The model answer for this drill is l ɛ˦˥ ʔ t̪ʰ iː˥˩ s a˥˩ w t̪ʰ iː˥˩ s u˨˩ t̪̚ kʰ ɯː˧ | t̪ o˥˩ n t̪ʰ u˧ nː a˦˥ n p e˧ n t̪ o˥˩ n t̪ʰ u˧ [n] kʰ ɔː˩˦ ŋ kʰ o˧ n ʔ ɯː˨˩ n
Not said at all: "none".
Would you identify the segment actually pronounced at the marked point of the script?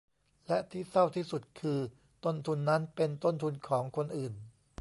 n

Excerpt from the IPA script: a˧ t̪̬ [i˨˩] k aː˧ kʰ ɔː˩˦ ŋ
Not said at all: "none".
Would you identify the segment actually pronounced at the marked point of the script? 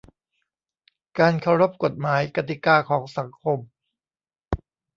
i˨˩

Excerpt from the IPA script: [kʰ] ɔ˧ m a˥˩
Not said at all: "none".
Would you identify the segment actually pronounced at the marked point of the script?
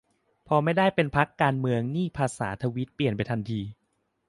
pʰ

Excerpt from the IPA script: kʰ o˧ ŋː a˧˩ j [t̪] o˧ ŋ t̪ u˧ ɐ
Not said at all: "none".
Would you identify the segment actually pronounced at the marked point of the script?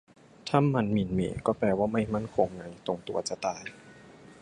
t̪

